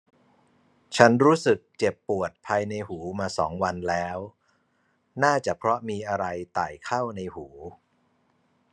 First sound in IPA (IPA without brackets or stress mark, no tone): t͡ɕʰ